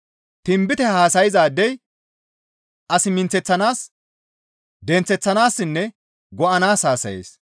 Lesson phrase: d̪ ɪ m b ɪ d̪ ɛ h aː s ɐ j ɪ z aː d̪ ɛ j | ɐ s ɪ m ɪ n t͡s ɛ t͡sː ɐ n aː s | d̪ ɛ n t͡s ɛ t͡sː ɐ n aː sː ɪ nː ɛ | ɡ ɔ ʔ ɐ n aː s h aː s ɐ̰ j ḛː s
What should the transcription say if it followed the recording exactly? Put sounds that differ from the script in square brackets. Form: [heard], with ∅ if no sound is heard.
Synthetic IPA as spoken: [t̪] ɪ m b ɪ [t̪] ɛ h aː s ɐ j ɪ z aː d̪ ɛ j | ɐ s ɪ m ɪ n t͡s ɛ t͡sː ɐ n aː s | d̪ ɛ n t͡s ɛ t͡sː ɐ n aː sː ɪ nː ɛ | ɡ ɔ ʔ ɐ n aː s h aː s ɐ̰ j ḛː s